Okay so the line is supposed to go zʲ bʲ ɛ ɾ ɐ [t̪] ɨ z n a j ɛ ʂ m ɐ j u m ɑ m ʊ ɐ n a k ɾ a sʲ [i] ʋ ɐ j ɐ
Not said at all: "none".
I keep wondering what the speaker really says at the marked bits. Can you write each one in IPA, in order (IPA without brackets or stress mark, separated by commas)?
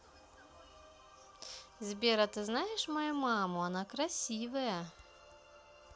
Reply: t̪, i